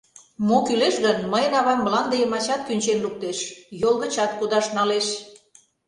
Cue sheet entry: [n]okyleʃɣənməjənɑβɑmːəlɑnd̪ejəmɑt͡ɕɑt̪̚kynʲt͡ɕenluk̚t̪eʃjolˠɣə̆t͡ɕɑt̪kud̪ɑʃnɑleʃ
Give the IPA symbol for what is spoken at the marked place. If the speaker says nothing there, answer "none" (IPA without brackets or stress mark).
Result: m